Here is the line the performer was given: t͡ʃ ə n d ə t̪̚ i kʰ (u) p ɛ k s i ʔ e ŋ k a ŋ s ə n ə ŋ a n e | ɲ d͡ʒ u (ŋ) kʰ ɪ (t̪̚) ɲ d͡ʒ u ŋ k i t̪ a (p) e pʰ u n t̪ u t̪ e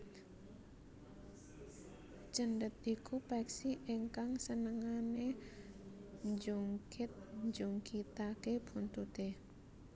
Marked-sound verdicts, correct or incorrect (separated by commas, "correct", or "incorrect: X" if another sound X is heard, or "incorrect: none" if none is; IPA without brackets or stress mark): correct, correct, correct, incorrect: k